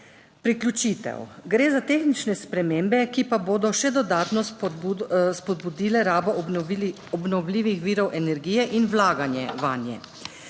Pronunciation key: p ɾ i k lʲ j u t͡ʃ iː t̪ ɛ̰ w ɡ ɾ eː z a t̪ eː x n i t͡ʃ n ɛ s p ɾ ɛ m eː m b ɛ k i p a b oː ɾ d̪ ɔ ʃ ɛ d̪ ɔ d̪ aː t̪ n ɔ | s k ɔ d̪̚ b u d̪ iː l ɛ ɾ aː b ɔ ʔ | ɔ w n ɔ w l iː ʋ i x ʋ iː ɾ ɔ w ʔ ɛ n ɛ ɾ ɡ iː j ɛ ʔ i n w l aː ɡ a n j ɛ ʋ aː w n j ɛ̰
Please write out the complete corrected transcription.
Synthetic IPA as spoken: p ɾ i k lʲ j u t͡ʃ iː t̪ ɛ̰ w ɡ ɾ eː z a t̪ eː x n i t͡ʃ n ɛ s p ɾ ɛ m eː m b ɛ k i p a b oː d̪ ɔ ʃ ɛ d̪ ɔ d̪ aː t̪ n ɔ | s p ɔ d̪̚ b u d̪ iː l ɛ ɾ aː b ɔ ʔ | ɔ b n ɔ w l iː ʋ i x ʋ iː ɾ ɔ w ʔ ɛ n ɛ ɾ ɡ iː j ɛ ʔ i n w l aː ɡ a n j ɛ ʋ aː n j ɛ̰